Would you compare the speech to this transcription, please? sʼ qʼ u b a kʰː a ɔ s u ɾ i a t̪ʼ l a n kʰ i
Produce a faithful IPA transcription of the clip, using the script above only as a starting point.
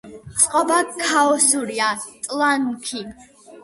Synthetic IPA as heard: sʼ qʼ ɔ b a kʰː a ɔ s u ɾ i a t̪ʼ l a n kʰ i